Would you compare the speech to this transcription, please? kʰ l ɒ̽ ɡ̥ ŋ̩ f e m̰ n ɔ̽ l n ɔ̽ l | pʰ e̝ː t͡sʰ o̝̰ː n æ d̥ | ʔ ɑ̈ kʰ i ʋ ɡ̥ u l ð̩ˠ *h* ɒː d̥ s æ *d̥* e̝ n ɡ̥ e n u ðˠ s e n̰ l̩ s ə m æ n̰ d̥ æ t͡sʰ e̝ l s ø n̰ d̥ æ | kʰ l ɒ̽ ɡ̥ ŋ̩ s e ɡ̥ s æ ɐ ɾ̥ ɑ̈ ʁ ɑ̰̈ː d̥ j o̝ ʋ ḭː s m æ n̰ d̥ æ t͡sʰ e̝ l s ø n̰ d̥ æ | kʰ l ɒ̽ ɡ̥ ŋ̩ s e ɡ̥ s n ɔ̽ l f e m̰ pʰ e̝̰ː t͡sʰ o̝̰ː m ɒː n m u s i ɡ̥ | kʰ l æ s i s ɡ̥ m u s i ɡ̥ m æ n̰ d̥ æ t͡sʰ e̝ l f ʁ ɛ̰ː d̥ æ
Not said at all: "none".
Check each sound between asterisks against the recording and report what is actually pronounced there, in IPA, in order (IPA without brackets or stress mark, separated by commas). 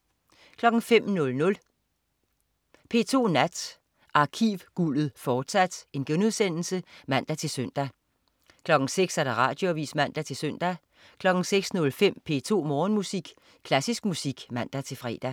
f, d̥